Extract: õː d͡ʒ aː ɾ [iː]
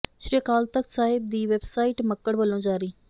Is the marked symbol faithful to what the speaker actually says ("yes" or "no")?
yes